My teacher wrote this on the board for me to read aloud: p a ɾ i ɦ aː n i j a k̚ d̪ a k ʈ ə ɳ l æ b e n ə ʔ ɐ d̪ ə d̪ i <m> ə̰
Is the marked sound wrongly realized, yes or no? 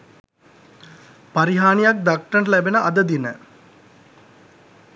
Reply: yes